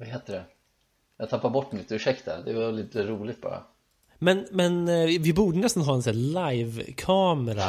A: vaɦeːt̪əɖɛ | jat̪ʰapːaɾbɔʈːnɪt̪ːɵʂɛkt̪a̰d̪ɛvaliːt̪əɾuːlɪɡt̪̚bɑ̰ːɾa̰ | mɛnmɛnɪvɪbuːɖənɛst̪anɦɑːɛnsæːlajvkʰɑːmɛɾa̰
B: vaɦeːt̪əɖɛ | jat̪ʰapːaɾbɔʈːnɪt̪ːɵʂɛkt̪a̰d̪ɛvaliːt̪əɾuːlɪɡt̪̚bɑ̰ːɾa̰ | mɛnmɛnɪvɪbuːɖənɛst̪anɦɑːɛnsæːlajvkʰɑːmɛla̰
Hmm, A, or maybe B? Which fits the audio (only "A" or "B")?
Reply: A